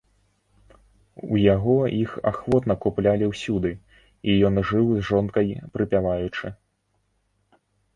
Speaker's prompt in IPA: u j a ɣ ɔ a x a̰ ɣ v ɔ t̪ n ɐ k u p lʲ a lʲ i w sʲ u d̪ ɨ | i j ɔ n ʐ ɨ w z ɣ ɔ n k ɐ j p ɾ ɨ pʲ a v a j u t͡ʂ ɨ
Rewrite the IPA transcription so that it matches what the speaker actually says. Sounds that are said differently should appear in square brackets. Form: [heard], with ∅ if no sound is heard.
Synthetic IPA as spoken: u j a ɣ ɔ [i] x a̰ [x] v ɔ t̪ n ɐ k u p lʲ a lʲ i w sʲ u d̪ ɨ | i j ɔ n ʐ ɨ w z [ʐ] ɔ n k ɐ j p ɾ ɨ pʲ a v a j u t͡ʂ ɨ